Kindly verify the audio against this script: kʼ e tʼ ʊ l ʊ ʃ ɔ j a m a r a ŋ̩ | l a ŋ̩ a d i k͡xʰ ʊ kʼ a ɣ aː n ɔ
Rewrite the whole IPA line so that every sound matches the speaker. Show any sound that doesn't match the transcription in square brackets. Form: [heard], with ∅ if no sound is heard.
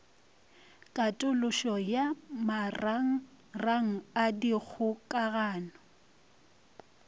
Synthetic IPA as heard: kʼ [a] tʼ ʊ l ʊ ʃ ɔ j a m a r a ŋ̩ | [r] a ŋ̩ a d i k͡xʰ ʊ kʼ a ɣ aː n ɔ